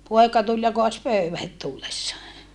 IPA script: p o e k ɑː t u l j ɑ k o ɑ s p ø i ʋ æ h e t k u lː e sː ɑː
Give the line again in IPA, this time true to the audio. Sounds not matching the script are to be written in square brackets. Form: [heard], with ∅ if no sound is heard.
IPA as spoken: p o e k [ɑ] t u l j ɑ k o ɑ s p ø [y] ʋ æ h e t [t] u lː e sː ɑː